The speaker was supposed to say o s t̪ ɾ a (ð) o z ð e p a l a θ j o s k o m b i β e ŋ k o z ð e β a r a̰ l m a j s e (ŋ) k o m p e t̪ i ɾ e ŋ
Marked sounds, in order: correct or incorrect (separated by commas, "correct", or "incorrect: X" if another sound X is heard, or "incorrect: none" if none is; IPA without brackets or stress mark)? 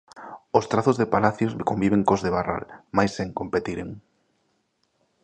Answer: incorrect: θ, correct